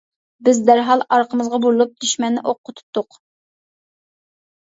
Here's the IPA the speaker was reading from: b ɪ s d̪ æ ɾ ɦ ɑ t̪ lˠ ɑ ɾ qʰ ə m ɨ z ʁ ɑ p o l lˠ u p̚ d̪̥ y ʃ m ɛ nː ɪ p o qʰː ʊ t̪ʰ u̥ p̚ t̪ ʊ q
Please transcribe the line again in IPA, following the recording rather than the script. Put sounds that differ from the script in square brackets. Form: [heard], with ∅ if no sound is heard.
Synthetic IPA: b ɪ [z] d̪ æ ɾ ɦ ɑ [∅] lˠ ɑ ɾ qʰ ə m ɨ z ʁ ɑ [b] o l lˠ u p̚ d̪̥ y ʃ m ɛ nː ɪ [ʔ] o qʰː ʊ t̪ʰ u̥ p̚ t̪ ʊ q